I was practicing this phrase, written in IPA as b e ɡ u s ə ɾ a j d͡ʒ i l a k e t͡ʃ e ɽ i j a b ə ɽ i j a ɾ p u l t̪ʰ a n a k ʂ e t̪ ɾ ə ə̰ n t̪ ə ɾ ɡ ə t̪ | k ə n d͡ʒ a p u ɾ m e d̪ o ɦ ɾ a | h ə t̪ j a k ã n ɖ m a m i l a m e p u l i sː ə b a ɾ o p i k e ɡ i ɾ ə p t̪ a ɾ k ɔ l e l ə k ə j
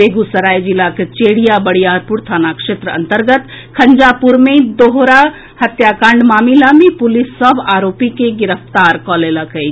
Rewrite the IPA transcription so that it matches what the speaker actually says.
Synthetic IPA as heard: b e ɡ u s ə ɾ a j d͡ʒ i l a k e t͡ʃ e ɽ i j a b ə ɽ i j a ɾ p u ɾ t̪ʰ a n a k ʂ e t̪ ɾ ə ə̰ n t̪ ə ɾ ɡ ə t̪ | kʰ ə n d͡ʒ a p u ɾ m e d̪ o ɦ ɾ a | h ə t̪ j a k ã ɳ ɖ m a m i l a m e p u l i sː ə b a ɾ o p i k e ɡ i ɾ ə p t̪ a ɾ k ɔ l e l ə k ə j